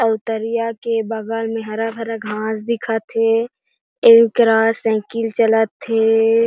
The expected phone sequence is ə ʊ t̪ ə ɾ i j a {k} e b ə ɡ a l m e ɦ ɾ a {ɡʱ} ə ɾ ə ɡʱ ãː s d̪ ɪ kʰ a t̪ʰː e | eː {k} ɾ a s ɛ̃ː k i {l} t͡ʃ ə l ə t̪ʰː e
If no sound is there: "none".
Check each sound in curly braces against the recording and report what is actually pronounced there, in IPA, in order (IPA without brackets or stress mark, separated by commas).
k, bʱ, k, l